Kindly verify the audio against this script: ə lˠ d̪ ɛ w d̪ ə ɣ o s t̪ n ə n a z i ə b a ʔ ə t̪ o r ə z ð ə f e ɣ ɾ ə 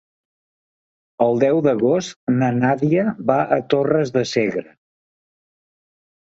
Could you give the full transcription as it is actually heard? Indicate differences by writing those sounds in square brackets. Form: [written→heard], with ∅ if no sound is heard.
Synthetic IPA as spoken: ə lˠ d̪ ɛ w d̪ ə ɣ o s t̪ n ə n a [z→ð] i ə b a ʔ ə t̪ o r ə z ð ə [f→s] e ɣ ɾ ə

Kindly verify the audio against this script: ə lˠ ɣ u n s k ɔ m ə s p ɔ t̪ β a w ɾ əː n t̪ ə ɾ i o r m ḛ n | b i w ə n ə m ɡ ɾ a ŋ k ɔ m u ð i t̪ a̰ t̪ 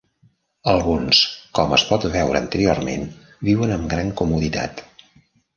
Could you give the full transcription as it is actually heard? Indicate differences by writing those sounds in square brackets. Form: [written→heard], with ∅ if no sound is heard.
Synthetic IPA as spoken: ə lˠ ɣ u n s k ɔ m ə s p ɔ t̪ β [a→ɛ] w ɾ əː n t̪ ə ɾ i o r m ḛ n | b i w ə n ə m ɡ ɾ a ŋ k [ɔ→u] m u ð i t̪ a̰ t̪

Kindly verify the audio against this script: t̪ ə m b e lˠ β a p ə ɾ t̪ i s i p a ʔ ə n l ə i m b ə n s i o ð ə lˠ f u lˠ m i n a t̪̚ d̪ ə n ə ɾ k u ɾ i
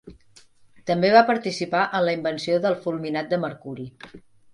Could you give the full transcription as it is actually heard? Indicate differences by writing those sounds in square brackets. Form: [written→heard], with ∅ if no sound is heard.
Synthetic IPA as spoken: t̪ ə m b e [lˠ→∅] β a p ə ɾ t̪ i s i p a ʔ ə n l ə i m b ə n s i o ð ə lˠ f u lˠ m i n a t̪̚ d̪ ə [n→m] ə ɾ k u ɾ i

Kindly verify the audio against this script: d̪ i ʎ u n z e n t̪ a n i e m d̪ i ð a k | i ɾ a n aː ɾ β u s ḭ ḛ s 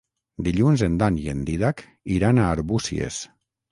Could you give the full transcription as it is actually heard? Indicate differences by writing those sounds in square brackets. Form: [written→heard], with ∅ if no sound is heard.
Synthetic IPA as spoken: d̪ i ʎ u n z e n [t̪→d̪] a n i e [m→n] d̪ i ð a k | i ɾ a n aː ɾ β u s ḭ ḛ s

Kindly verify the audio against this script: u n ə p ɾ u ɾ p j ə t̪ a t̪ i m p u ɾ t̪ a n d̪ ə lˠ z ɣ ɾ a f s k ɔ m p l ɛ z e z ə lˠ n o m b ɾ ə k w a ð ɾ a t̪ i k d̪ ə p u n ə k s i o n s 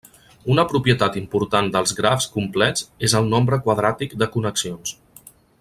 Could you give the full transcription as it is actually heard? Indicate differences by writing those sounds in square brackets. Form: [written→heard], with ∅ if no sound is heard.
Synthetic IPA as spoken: u n ə p ɾ u [ɾ→∅] p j ə t̪ a t̪ i m p u ɾ t̪ a n d̪ ə lˠ z ɣ ɾ a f s k [ɔ→u] m p l ɛ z e z ə lˠ n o m b ɾ ə k w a ð ɾ a t̪ i k d̪ ə [p→k] u n ə k s i o n s

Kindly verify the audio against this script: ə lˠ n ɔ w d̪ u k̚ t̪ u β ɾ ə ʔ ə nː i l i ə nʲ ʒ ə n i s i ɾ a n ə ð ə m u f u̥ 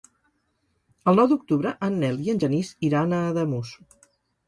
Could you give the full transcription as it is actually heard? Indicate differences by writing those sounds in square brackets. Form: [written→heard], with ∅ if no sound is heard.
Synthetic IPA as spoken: ə lˠ n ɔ w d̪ u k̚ t̪ u β ɾ ə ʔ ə nː [i→ɛ] l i ə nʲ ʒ ə n i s i ɾ a n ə ð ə m u [f→s] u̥

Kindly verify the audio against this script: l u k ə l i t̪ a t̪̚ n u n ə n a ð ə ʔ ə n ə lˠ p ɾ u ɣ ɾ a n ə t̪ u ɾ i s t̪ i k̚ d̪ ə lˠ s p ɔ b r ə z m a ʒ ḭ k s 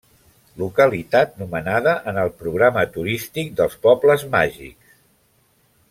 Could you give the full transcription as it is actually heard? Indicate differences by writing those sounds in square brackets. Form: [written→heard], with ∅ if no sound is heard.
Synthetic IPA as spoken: l u k ə l i t̪ a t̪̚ n u [n→m] ə n a ð ə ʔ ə n ə lˠ p ɾ u ɣ ɾ a [n→m] ə t̪ u ɾ i s t̪ i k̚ d̪ ə lˠ s p ɔ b [r→l] ə z m a ʒ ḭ k s

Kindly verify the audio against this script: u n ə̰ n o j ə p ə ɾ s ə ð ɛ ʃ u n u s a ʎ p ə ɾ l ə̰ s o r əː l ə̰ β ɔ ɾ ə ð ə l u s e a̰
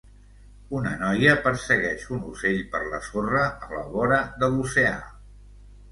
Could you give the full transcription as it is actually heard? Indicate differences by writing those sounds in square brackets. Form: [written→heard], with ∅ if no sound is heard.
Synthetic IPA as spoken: u n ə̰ n [o→ɔ] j ə p ə ɾ s ə [ð→ɣ] ɛ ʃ u n u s [a→e] ʎ p ə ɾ l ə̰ s o r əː l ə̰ β ɔ ɾ ə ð ə l u s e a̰

